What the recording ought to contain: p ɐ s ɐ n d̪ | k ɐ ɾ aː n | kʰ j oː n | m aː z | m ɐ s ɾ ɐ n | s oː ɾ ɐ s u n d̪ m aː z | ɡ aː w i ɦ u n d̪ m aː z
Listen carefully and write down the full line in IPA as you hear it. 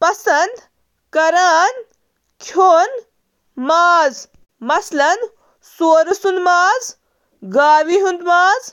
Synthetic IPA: p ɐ s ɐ n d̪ | k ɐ ɾ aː n | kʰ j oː n | m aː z | m ɐ s l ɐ n | s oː ɾ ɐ s u n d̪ m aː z | ɡ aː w i ɦ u n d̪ m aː z

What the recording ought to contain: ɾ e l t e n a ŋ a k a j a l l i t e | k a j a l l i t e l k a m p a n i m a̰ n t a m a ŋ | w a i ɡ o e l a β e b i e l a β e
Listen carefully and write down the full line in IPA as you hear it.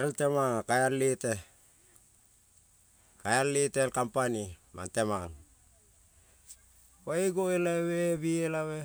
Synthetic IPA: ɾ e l t e m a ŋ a k a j a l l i t e | k a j a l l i t e l k a m p a n i m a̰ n t e m a ŋ | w a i ɡ o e l a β e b i e l a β e

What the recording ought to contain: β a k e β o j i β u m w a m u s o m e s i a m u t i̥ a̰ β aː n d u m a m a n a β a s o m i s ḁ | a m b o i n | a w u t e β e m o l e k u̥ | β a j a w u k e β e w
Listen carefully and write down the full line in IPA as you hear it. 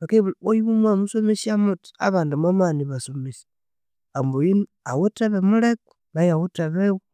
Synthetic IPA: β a k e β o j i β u m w a m u s o m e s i a m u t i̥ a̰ β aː n d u m a m a n i β a s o m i s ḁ | a m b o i n | a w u t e β e m u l e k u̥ | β a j a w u t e β e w

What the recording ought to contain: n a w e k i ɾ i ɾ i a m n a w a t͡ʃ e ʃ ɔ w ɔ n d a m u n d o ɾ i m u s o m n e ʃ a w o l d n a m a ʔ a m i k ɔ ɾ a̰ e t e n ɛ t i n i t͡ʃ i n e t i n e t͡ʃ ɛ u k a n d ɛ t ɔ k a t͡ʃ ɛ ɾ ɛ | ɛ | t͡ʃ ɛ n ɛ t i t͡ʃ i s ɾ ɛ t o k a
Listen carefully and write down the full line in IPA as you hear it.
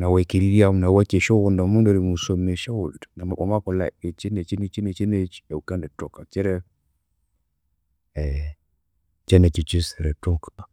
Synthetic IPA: n a w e k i ɾ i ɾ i a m n a w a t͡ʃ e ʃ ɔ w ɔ n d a m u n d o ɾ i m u s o m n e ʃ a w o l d n a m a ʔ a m a k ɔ l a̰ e t͡ʃ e n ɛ t͡ʃ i n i t͡ʃ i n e t͡ʃ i n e t͡ʃ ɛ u k a n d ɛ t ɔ k a t͡ʃ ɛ ɾ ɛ | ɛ | t͡ʃ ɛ n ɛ t͡ʃ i t͡ʃ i s ɾ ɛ t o k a

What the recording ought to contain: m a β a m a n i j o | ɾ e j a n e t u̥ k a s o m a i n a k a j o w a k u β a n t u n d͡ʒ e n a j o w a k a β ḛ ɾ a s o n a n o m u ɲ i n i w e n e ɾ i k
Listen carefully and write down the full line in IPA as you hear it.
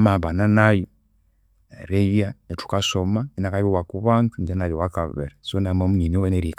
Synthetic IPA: m a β a n a n a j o | ɾ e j a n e t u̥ k a s o m a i n a k a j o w a k u β a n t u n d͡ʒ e n a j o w a k a β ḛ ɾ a s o n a m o m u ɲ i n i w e n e ɾ i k

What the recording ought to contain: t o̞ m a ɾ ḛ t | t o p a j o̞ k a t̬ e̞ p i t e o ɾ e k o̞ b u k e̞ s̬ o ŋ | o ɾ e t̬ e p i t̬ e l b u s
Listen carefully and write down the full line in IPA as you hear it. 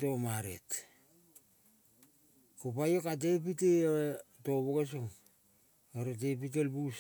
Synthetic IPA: t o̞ m a ɾ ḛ t | k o p a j o̞ k a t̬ e̞ p i t e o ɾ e t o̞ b o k e̞ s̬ o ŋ | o ɾ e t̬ e p i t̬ e l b u s

